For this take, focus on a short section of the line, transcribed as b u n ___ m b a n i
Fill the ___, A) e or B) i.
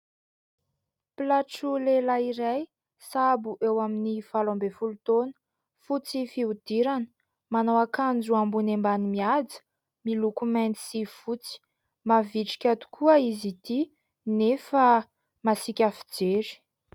A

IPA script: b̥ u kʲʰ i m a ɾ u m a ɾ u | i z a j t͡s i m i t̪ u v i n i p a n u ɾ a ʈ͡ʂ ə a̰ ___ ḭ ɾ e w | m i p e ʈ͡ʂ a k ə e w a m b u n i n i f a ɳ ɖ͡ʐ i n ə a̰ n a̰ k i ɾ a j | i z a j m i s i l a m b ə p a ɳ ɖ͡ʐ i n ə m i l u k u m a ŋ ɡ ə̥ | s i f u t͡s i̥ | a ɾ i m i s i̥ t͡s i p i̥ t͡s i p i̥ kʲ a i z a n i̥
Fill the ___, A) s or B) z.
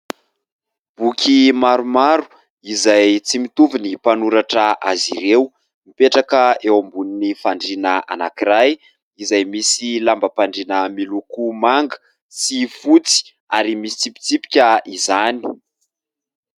B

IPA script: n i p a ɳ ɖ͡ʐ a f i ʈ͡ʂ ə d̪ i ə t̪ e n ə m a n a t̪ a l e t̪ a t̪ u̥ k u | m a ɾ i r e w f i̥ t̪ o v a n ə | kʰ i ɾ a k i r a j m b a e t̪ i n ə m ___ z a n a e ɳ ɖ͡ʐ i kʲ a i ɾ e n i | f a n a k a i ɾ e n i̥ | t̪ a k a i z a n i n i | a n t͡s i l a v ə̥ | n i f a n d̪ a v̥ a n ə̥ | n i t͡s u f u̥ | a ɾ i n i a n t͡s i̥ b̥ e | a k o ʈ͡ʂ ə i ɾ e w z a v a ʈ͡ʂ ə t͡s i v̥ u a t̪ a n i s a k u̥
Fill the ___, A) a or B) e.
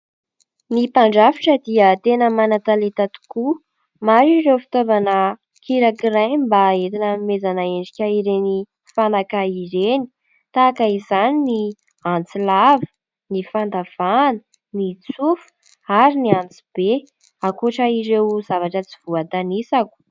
B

